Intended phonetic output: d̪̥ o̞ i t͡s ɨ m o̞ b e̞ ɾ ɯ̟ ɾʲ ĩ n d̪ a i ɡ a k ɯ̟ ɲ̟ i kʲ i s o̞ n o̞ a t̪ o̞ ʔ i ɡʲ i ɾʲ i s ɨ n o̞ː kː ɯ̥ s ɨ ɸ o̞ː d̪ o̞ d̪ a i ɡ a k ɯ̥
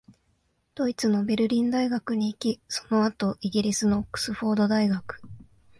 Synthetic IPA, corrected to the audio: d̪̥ o̞ i t͡s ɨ n o̞ b e̞ ɾ ɯ̟ ɾʲ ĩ n d̪ a i ɡ a k ɯ̟ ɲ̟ iː kʲ i s o̞ n o̞ a t̪ o̞ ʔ i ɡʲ i ɾʲ i s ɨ n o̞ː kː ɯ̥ s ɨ ɸ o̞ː d̪ o̞ d̪ a i ɡ a k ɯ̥